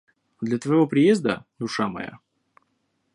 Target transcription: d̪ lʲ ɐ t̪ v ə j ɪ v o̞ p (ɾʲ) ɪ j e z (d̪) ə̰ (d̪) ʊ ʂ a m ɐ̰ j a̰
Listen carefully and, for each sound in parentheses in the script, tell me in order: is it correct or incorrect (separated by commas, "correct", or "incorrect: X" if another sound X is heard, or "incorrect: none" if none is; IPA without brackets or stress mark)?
correct, correct, correct